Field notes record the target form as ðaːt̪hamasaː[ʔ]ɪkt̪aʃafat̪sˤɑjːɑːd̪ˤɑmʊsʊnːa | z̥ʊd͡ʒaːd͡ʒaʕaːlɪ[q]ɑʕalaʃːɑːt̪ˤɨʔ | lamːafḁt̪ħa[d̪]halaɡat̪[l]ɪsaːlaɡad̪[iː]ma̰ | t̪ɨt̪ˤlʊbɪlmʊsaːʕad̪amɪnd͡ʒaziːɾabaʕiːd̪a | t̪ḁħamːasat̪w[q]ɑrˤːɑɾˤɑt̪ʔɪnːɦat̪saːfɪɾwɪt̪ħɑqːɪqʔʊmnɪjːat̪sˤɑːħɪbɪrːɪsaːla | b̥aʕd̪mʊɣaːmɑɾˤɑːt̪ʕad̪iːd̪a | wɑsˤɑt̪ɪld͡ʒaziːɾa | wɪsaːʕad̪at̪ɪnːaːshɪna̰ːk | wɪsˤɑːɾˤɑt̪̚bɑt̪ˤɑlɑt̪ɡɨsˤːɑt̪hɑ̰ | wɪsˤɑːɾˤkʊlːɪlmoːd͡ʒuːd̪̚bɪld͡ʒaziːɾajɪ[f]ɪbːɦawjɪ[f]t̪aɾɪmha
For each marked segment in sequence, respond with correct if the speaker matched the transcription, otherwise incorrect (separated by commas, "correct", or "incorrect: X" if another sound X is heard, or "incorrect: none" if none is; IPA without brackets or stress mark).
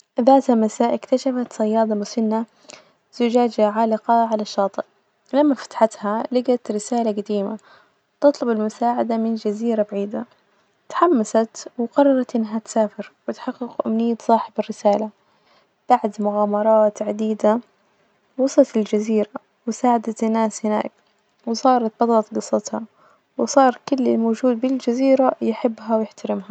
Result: correct, correct, incorrect: t̪, incorrect: ɾ, correct, correct, incorrect: ħ, incorrect: ħ